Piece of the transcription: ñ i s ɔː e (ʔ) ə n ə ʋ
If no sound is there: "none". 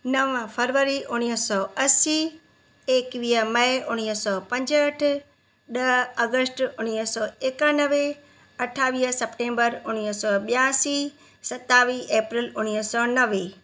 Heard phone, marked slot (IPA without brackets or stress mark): k